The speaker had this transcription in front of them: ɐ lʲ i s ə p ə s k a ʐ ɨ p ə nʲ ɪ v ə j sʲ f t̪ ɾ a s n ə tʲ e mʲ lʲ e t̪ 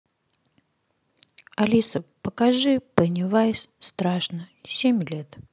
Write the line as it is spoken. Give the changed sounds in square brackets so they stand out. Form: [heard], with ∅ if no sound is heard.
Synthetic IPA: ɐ lʲ i s ə p ə [∅] k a ʐ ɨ p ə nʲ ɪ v [a] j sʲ [s] t̪ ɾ a [ʂ] n ə [sʲ] e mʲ lʲ e t̪